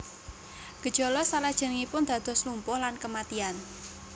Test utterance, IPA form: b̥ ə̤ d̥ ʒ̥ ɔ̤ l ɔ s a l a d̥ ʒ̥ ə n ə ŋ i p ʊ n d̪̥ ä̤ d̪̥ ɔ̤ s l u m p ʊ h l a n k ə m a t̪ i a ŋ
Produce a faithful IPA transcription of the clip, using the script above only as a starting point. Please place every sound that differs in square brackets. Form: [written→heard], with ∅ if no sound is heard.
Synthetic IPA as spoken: [b̥→ɡ̥] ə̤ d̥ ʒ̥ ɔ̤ l ɔ s a l a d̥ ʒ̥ ə n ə ŋ i p ʊ n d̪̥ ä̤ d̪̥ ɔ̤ s l u m p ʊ h l a n k ə m a t̪ i a [ŋ→n]